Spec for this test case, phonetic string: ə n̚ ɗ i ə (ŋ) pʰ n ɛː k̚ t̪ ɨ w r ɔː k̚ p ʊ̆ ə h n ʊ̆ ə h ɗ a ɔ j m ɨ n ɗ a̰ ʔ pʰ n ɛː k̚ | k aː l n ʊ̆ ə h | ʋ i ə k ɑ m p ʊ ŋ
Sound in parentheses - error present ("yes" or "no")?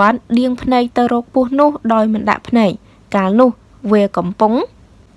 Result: no